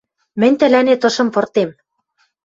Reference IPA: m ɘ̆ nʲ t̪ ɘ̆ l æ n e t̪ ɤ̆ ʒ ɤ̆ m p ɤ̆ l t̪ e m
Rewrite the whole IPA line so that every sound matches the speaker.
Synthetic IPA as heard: m ɘ̆ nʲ t̪ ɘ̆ l æ n e t̪ ɤ̆ ʃ ɤ̆ m p ɤ̆ r t̪ e m